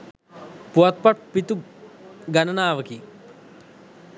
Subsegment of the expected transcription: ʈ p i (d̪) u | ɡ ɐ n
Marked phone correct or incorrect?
incorrect